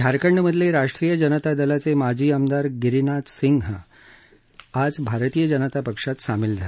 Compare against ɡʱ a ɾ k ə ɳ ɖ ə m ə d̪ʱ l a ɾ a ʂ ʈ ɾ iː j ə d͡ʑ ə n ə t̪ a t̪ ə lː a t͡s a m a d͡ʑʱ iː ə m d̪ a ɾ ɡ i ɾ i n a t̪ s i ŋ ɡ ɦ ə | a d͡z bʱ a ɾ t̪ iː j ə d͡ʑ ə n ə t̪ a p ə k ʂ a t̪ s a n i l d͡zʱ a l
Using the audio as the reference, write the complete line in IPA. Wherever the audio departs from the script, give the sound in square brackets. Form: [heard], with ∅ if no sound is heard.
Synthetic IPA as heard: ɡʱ a ɾ k ə ɳ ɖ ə m ə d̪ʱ l [e] ɾ a ʂ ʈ ɾ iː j ə d͡ʑ ə n ə t̪ a [d̪] ə [l] a t͡s [e] m a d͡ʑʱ iː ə m d̪ a ɾ ɡ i ɾ i n a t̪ s i ŋ ɡ ɦ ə | a d͡z bʱ a ɾ t̪ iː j ə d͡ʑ ə n ə t̪ a p ə k ʂ a t̪ s a [m] i l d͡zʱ a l

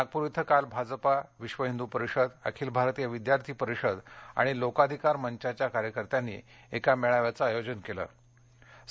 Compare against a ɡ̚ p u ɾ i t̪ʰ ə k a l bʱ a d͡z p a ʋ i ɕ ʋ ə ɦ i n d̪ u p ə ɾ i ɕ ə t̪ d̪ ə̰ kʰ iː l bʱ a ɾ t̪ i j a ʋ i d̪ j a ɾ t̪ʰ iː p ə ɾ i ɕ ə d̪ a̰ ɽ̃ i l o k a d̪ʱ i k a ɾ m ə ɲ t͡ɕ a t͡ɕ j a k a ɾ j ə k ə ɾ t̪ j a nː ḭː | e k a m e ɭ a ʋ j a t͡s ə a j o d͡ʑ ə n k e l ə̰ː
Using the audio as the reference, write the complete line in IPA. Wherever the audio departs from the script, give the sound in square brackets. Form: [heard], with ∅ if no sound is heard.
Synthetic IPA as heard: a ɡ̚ p u ɾ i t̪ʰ ə k a l bʱ a d͡z p a ʋ i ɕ ʋ ə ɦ i n d̪ u p ə ɾ i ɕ ə [∅] d̪ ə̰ kʰ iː l bʱ a ɾ t̪ i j a ʋ i d̪ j a ɾ t̪ʰ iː p ə ɾ i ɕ ə d̪ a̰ ɽ̃ i l o k a d̪ʱ i k a ɾ m ə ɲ t͡ɕ a t͡ɕ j a k a ɾ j ə k ə ɾ t̪ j a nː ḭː | e k a m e ɭ a ʋ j a t͡s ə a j o d͡ʑ ə n k e l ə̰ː

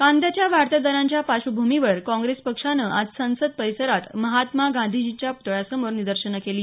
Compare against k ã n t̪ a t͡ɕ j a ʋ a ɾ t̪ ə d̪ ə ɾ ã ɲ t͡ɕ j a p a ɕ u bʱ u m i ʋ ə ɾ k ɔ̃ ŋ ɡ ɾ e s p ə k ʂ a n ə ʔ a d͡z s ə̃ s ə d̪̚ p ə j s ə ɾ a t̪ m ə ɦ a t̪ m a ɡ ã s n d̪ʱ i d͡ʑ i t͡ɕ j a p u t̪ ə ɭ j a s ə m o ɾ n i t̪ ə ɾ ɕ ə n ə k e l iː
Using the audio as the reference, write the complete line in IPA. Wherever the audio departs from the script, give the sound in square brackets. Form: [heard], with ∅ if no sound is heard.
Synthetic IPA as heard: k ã n [d̪] a t͡ɕ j a ʋ a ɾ t̪ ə d̪ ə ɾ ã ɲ t͡ɕ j a p a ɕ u bʱ u m i ʋ ə ɾ k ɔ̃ ŋ ɡ ɾ e s p ə k ʂ a n ə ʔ a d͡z s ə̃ s ə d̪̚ p ə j s ə ɾ a t̪ m ə ɦ a t̪ m a ɡ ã [∅] n d̪ʱ i d͡ʑ i t͡ɕ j a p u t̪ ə ɭ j a s ə m o ɾ n i [d̪] ə ɾ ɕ ə n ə k e l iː

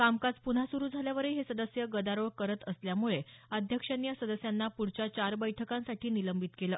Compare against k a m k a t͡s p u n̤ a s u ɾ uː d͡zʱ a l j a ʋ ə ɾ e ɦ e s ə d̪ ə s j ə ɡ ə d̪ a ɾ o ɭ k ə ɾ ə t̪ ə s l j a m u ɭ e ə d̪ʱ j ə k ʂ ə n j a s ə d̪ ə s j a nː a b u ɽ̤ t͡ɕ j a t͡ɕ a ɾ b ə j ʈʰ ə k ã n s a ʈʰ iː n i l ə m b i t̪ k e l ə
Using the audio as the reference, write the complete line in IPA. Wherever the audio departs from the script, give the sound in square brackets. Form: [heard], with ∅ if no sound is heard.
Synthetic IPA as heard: k a m k a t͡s p u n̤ a s u ɾ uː d͡zʱ a l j a ʋ ə ɾ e ɦ e s ə d̪ ə s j ə ɡ ə d̪ a ɾ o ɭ k ə ɾ ə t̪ ə s l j a m u ɭ e ə d̪ʱ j ə k ʂ ə n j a s ə d̪ ə s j a nː a [p] u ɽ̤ t͡ɕ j a t͡ɕ a ɾ b ə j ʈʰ ə k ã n s a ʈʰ iː n i l ə m b i t̪ k e l ə

